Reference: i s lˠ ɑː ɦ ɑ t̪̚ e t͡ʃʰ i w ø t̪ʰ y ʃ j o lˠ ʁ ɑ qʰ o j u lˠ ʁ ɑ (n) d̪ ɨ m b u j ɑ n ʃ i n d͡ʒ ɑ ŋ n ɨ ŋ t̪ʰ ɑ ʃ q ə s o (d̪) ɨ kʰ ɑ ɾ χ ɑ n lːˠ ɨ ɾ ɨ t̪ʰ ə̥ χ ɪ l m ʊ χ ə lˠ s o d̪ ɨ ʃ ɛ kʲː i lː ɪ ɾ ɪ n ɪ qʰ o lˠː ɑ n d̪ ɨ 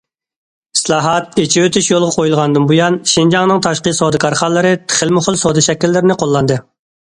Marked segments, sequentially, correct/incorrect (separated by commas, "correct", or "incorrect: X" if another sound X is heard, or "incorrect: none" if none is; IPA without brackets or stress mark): correct, correct